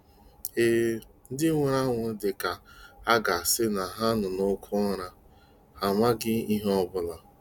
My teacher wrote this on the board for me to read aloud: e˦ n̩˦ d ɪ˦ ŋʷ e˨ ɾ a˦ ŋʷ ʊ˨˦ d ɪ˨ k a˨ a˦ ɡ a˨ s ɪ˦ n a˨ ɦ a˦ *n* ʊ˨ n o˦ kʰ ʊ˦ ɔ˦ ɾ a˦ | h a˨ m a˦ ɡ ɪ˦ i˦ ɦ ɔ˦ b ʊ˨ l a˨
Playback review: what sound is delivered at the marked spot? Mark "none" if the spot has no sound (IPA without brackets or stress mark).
n